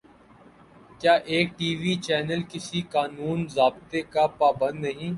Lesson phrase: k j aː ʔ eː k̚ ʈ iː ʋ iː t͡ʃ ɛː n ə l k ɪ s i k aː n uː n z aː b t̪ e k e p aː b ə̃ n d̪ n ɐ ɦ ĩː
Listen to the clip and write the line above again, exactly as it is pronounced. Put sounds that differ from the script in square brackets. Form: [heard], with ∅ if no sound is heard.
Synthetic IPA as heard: k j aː ʔ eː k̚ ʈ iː ʋ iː t͡ʃ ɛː n ə l k ɪ s i k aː n uː n z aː b t̪ e k [a] p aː b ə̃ n d̪ n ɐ ɦ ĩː